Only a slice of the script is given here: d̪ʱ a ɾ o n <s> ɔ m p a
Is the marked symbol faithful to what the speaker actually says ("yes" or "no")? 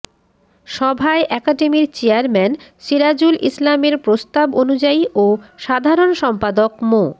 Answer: no